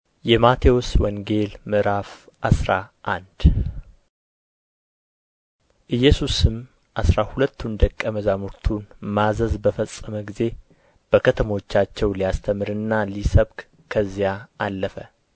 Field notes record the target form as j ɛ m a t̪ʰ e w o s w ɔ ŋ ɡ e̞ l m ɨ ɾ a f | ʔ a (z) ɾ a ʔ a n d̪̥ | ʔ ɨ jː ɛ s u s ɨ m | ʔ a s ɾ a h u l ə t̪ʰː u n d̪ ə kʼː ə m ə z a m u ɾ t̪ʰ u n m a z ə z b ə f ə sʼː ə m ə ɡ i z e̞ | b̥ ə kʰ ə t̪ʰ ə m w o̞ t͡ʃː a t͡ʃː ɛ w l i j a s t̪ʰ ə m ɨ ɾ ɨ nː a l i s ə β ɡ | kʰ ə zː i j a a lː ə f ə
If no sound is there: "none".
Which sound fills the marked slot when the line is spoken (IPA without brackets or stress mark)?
s